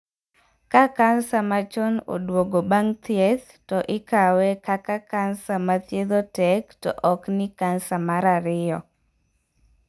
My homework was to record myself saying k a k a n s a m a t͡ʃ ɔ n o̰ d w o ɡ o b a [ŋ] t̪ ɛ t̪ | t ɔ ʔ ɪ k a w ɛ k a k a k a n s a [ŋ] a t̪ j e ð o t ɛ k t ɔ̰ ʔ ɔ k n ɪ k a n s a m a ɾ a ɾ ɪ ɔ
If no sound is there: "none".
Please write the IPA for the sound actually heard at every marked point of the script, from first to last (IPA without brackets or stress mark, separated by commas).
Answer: ŋ, m